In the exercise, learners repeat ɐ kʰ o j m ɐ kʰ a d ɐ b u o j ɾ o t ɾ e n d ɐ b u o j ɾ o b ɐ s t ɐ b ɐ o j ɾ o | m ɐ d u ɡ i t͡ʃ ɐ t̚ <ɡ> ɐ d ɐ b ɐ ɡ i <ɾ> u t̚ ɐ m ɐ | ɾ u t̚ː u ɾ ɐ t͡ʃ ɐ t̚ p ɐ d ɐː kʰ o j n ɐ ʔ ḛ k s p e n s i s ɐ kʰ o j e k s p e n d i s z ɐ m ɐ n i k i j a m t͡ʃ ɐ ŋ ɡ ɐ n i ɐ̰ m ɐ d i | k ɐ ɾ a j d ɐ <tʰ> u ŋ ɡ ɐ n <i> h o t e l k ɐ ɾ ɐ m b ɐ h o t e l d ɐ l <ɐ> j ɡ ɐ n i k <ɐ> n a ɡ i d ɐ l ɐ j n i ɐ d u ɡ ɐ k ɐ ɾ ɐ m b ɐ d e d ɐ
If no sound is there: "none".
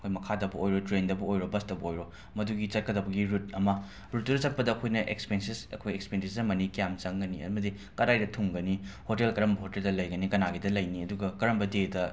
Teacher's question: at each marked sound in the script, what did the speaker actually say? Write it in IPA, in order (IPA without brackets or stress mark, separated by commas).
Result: k, ɾ, tʰ, i, ɐ, ɐ